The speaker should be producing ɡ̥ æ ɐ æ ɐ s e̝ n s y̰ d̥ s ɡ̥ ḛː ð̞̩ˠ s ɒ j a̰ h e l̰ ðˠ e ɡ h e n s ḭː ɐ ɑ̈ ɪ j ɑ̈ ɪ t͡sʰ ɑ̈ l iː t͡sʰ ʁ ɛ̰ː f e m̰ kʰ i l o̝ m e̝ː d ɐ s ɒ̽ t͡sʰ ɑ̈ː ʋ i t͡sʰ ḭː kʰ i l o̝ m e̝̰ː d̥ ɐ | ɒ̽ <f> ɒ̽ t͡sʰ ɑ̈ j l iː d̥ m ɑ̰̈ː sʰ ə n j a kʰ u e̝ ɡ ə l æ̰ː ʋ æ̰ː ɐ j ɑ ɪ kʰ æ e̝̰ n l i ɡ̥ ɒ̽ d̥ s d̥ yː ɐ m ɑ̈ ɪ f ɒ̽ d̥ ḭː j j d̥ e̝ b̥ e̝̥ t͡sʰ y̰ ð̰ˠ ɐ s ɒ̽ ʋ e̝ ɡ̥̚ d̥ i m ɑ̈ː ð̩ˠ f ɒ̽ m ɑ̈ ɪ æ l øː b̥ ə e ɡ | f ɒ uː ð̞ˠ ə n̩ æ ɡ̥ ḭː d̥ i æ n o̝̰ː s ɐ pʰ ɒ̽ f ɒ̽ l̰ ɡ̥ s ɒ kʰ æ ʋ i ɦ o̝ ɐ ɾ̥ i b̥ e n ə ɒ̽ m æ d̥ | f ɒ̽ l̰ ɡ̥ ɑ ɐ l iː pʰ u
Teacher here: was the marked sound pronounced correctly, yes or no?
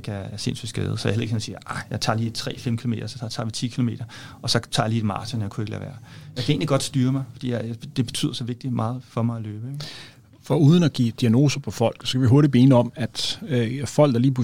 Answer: no